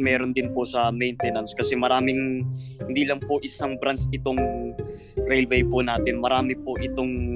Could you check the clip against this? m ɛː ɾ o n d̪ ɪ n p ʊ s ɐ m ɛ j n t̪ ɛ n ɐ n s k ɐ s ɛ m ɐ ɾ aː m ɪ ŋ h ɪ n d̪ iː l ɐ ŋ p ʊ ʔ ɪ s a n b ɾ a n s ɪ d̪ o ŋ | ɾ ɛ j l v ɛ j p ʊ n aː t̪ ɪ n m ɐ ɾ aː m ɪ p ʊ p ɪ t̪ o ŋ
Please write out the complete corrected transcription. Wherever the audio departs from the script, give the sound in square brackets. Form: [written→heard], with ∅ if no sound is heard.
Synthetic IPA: m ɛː ɾ o n d̪ ɪ n p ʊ s ɐ m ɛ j n t̪ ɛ n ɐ n s k ɐ s ɛ m ɐ ɾ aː m ɪ ŋ h ɪ n d̪ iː l ɐ ŋ p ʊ ʔ ɪ s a [n→ŋ] b ɾ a n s ɪ [d̪→t̪] o ŋ | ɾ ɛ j l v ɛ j p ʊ n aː t̪ ɪ n m ɐ ɾ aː m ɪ p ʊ [p→ʔ] ɪ t̪ o ŋ